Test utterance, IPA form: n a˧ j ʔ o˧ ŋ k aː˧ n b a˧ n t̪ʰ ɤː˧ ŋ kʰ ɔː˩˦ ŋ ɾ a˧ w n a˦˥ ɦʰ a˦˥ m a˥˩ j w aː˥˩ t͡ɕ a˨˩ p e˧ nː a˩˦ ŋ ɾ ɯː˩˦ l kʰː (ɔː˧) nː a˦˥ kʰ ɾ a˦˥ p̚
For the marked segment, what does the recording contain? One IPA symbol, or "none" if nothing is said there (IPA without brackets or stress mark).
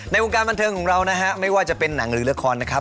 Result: ɔː˧